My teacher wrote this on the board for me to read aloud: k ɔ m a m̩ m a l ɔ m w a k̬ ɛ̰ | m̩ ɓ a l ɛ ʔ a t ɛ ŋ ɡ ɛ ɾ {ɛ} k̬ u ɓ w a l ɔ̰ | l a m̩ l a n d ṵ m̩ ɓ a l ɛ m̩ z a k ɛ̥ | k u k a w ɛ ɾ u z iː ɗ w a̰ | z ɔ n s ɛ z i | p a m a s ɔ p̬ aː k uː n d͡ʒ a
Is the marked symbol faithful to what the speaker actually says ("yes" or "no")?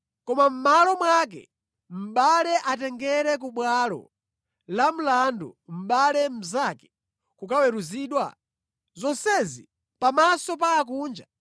yes